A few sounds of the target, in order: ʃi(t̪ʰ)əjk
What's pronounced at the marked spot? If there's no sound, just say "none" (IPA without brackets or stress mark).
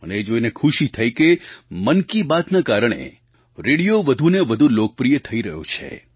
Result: t̪ʰ